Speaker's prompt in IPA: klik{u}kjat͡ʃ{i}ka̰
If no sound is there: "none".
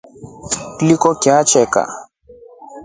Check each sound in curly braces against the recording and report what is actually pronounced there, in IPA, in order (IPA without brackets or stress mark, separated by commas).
ɔ, ɛ